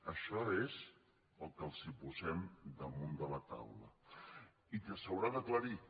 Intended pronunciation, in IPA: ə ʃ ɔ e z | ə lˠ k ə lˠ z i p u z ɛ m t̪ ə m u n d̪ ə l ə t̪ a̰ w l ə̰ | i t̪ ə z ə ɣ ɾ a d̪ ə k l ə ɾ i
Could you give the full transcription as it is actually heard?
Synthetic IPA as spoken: ə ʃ ɔ e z | ə lˠ k ə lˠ z i p u z ɛ m d̪ ə m u n d̪ ə l ə t̪ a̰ w l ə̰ | i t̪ ə s ə w ɾ a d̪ ə k l ə ɾ i